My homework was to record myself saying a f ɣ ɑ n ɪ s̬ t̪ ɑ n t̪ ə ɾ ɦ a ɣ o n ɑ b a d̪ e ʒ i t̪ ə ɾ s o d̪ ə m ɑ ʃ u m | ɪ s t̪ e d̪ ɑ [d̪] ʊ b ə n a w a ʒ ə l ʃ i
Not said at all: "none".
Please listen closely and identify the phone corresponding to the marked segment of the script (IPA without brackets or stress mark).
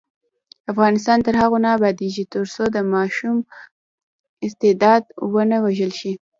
d̪